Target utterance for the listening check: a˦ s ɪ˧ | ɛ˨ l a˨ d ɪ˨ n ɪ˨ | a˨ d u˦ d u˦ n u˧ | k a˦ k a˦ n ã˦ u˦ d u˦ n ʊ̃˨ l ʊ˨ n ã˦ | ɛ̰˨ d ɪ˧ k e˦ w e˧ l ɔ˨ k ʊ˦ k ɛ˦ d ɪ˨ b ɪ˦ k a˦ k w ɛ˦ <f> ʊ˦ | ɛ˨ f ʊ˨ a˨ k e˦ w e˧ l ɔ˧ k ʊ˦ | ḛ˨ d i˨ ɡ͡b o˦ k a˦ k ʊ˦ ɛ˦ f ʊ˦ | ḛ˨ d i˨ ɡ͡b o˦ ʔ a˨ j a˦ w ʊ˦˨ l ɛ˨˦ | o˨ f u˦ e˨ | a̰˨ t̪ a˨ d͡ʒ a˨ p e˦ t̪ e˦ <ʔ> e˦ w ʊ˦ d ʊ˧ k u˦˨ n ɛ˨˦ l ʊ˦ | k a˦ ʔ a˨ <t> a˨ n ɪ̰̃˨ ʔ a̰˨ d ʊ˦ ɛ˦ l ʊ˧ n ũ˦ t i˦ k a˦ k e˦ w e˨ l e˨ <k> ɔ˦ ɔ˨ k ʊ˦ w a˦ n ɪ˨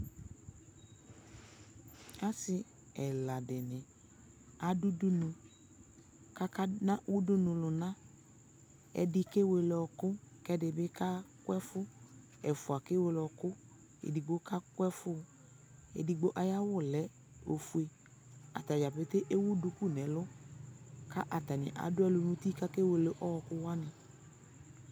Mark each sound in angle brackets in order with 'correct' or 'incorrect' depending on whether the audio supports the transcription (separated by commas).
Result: correct, correct, correct, incorrect